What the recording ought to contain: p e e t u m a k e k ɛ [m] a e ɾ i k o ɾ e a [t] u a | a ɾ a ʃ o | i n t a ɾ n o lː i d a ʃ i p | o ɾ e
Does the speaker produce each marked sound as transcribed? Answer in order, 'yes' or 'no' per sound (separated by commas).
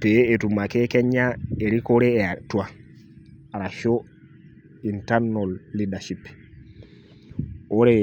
no, yes